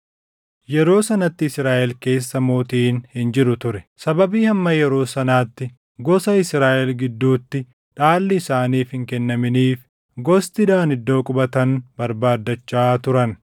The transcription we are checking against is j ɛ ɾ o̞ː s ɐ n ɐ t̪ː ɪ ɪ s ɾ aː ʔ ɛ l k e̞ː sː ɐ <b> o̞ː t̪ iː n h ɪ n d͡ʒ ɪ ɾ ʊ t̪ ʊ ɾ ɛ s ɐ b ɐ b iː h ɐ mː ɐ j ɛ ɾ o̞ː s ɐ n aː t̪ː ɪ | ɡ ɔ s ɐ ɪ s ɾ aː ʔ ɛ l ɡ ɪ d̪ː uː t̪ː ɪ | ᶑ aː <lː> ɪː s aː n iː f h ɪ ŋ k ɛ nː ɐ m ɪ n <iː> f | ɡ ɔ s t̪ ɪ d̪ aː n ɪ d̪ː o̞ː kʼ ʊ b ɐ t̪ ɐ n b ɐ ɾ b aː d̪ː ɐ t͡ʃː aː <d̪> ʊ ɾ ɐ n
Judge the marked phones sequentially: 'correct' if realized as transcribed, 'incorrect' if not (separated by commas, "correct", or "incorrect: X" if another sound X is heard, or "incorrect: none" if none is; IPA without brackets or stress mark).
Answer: incorrect: m, correct, correct, incorrect: t̪